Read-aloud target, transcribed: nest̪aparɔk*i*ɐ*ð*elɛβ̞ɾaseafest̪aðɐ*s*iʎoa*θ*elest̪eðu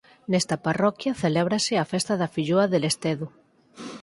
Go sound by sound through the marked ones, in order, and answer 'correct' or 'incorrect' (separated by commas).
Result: incorrect, incorrect, incorrect, incorrect